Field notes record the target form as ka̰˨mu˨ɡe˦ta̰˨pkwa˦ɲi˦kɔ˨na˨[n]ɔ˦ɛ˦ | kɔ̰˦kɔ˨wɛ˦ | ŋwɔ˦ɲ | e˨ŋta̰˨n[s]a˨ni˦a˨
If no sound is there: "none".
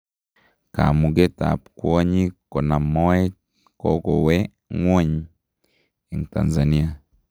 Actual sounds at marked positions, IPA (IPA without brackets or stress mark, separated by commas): m, z